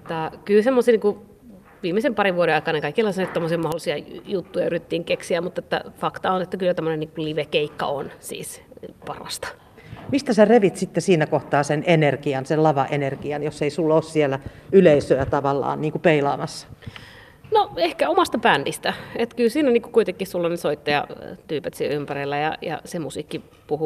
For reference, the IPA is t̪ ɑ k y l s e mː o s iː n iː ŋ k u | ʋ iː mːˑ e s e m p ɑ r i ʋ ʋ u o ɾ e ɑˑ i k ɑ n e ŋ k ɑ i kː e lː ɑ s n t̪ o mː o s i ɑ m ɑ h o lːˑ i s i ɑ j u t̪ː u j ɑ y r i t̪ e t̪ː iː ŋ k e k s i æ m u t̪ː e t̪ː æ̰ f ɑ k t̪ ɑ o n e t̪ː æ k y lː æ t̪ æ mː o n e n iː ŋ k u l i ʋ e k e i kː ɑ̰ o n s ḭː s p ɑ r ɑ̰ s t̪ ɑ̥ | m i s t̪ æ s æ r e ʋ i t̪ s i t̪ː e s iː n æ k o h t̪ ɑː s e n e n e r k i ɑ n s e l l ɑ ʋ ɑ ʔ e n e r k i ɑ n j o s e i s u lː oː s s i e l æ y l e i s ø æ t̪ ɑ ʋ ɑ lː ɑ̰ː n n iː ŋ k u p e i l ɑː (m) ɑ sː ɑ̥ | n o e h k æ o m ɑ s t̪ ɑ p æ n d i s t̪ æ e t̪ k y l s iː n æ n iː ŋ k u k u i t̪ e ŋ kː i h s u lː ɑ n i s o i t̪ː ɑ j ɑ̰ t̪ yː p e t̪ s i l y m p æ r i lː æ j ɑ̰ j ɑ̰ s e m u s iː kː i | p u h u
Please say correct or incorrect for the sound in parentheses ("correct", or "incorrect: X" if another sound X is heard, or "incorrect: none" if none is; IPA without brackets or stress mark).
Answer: correct